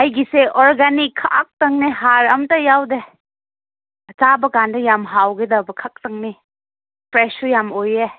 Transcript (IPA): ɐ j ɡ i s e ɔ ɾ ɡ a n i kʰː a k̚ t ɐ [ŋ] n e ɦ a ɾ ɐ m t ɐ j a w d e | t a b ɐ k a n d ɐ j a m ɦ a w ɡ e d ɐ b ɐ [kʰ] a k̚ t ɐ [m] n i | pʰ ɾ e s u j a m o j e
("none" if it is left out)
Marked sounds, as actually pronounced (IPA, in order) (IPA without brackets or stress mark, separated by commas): ŋ, kʰ, ŋ